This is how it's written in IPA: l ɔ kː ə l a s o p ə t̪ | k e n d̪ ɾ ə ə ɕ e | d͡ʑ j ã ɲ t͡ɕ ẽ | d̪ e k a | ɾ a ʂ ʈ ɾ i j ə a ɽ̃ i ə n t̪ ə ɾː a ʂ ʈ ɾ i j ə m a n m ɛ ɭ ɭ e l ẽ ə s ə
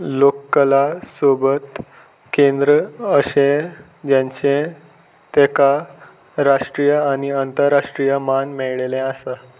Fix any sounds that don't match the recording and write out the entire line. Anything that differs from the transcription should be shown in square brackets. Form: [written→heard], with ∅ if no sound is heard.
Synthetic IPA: l [ɔ→o] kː ə l a s o [p→b] ə t̪ | k e n d̪ ɾ ə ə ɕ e | d͡ʑ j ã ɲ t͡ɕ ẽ | [d̪→t̪] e k a | ɾ a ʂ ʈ ɾ i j ə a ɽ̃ i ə n t̪ ə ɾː a ʂ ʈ ɾ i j ə m a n m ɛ ɭ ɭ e l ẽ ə s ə